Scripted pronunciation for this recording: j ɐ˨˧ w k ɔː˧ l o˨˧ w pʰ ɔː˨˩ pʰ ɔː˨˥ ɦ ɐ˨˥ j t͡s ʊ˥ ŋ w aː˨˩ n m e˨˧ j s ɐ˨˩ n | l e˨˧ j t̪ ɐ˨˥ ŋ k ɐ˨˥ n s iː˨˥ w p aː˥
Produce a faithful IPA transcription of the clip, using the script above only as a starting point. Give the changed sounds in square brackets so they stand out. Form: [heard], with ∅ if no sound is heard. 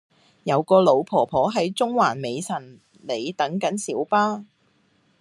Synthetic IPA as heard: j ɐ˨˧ w k ɔː˧ l o˨˧ w pʰ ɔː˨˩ pʰ ɔː˨˥ ɦ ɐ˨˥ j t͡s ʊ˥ ŋ w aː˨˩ n m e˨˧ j s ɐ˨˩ n | l e˨˧ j t̪ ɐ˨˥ ŋ k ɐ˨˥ n s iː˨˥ w p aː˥